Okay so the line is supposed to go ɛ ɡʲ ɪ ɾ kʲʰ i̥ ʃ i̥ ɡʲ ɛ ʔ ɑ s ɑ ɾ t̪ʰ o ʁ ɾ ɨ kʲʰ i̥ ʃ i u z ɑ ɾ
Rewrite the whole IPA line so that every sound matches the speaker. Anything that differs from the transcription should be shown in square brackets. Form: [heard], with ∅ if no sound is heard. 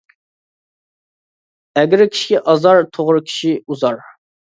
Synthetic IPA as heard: ɛ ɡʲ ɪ ɾ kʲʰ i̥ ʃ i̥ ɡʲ ɛ ʔ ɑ [z] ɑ ɾ t̪ʰ o ʁ ɾ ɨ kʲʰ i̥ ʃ i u z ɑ ɾ

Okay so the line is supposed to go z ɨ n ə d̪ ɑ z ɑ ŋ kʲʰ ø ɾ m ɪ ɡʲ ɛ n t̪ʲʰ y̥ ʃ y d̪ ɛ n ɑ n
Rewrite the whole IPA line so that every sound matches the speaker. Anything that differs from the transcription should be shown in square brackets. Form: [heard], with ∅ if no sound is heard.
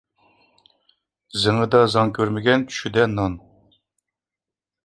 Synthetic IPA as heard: z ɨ [ŋ] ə d̪ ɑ z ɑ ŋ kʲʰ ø ɾ m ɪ ɡʲ ɛ n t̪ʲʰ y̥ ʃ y d̪ ɛ n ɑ n

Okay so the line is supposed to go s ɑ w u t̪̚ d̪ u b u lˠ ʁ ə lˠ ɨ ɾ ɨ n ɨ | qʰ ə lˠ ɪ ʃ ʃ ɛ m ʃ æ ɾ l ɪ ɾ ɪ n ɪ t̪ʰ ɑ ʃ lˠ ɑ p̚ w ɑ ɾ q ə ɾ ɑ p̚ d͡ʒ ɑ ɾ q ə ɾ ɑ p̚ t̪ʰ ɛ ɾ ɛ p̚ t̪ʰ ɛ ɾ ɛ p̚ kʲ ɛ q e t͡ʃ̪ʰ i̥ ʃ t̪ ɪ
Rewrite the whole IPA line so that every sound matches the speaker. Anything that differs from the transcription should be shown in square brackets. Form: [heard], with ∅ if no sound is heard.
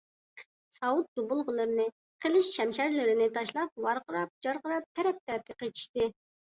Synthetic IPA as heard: s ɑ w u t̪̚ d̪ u b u lˠ ʁ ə lˠ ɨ ɾ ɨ n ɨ | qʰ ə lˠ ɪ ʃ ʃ ɛ m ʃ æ ɾ l ɪ ɾ ɪ n ɪ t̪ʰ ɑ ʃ lˠ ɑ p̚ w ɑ ɾ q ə ɾ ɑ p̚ d͡ʒ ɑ ɾ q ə ɾ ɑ p̚ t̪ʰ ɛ ɾ ɛ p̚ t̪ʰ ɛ ɾ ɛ p̚ kʲ ɛ q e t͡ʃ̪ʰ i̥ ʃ t̪ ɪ

